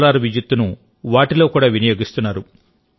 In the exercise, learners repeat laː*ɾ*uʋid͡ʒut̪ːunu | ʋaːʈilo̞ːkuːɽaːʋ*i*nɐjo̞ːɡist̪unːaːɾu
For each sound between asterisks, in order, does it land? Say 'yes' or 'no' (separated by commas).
yes, yes